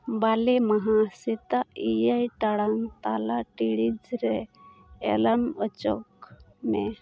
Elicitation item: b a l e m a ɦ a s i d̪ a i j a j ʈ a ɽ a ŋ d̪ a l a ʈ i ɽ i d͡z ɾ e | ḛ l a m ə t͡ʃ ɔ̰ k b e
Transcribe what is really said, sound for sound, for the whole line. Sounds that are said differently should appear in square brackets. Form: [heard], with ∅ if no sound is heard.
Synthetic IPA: b a l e m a ɦ a s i [t̪] a i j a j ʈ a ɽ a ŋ [t̪] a l a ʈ i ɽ i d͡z ɾ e | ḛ l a m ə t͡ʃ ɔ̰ k [m] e